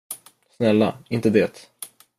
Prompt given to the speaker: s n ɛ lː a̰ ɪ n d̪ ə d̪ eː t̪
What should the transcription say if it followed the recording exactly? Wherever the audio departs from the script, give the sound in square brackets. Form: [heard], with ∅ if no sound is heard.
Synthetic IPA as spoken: s n ɛ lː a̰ ɪ n [t̪] ə d̪ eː t̪